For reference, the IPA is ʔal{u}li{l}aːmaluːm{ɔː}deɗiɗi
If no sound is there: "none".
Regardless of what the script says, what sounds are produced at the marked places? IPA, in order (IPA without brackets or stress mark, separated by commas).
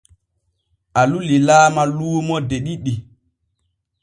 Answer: u, l, ɔ